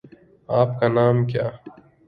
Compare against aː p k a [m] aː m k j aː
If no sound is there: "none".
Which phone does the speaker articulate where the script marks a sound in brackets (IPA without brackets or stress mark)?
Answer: n